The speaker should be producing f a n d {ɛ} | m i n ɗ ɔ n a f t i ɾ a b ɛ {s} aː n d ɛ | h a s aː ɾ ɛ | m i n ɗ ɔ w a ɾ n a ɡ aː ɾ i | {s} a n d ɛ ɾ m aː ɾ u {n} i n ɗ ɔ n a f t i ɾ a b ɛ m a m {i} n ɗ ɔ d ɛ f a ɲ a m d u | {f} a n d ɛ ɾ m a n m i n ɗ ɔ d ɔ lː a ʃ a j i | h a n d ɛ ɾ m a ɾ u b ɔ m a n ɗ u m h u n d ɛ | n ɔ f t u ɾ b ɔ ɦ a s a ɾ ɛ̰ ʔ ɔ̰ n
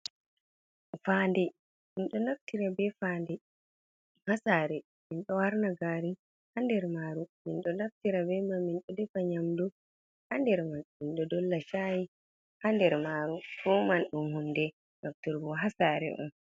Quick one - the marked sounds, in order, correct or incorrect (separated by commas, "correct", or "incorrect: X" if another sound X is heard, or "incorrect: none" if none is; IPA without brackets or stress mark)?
correct, incorrect: f, incorrect: h, incorrect: m, correct, incorrect: h